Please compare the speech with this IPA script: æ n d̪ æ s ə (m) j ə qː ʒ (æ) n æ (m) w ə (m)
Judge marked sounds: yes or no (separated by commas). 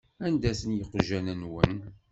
no, yes, no, no